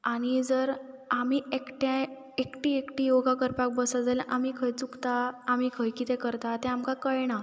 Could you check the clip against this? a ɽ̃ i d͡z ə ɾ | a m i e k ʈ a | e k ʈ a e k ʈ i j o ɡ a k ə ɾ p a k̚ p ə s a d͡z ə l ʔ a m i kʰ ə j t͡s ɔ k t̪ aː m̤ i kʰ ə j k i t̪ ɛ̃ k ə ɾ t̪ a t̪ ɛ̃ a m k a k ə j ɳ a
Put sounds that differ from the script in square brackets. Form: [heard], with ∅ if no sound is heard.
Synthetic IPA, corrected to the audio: a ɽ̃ i d͡z ə ɾ | a m i e k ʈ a | e k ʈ [i] e k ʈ i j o ɡ a k ə ɾ p a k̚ [b] ə s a d͡z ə l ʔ a m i kʰ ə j t͡s [u] k t̪ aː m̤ i kʰ ə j k i t̪ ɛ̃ k ə ɾ t̪ a t̪ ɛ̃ a m k a k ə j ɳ a